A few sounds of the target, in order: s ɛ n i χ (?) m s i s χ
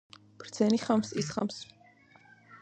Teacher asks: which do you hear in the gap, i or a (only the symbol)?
a